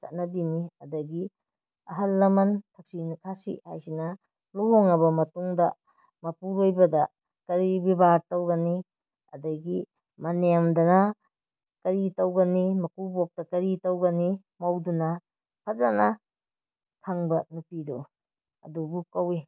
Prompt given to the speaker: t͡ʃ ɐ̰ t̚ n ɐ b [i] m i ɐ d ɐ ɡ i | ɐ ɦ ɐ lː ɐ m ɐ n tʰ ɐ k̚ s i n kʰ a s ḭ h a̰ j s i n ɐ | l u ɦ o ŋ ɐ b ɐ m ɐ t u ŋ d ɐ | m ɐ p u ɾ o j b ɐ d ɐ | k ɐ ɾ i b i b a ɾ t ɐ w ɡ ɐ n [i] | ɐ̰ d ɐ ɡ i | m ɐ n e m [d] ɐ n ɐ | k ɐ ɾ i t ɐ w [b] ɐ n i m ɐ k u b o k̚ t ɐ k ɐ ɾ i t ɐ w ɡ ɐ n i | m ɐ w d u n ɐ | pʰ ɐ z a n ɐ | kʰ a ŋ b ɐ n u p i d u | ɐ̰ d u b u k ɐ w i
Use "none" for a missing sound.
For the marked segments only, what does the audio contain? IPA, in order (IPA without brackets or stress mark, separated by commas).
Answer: i, i, d, ɡ